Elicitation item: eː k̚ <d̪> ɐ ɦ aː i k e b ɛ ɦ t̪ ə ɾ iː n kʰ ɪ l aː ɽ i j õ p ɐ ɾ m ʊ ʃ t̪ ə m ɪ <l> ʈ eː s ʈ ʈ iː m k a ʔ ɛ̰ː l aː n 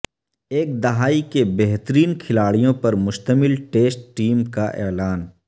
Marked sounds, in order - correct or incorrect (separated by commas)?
correct, correct